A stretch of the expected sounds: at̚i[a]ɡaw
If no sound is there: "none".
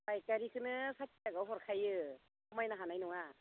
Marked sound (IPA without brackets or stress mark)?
a